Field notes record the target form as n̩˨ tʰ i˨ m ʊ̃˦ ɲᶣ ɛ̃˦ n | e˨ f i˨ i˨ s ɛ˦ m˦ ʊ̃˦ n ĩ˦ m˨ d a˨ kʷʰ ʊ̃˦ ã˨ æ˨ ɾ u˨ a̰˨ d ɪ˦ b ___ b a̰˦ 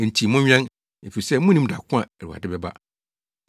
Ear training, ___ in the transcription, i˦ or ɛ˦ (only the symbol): ɛ˦